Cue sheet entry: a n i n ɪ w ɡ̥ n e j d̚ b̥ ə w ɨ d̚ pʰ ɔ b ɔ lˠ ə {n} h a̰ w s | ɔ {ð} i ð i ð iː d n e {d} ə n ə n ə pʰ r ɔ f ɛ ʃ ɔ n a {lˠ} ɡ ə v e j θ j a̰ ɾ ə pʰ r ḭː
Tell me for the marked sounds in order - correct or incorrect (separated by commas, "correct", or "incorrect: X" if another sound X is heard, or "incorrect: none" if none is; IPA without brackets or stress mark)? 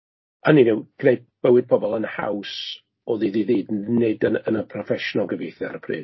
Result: correct, correct, correct, correct